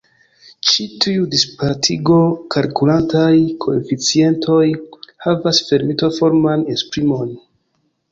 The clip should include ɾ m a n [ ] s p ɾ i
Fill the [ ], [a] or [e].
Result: e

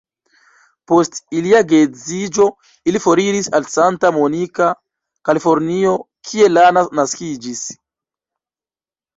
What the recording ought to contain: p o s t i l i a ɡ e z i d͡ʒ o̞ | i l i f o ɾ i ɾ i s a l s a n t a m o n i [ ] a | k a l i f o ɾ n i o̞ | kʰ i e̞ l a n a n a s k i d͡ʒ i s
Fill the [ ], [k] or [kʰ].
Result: k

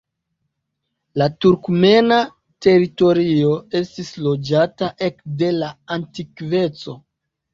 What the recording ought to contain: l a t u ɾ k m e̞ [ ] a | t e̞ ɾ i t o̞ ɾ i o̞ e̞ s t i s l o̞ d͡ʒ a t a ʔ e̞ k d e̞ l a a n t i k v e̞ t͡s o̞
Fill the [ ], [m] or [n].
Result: n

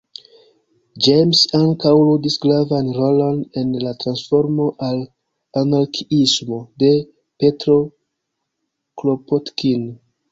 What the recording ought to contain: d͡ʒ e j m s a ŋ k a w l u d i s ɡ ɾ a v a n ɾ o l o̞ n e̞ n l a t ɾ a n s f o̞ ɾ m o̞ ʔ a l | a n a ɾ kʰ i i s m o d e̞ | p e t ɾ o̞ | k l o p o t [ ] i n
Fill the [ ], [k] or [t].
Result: k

